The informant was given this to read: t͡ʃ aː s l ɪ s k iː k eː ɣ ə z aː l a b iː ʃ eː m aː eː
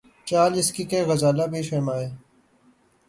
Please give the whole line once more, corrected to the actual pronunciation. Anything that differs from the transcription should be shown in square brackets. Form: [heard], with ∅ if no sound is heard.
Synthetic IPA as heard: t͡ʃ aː [∅] l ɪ s k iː k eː ɣ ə z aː l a b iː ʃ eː m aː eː